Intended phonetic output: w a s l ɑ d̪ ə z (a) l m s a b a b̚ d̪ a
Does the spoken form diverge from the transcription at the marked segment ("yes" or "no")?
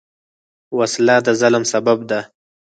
no